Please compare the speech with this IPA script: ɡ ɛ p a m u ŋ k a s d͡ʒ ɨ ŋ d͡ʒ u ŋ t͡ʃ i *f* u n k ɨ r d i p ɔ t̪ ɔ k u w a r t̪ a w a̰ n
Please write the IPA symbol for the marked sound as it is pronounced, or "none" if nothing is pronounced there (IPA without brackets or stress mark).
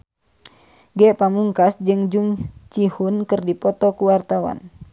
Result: h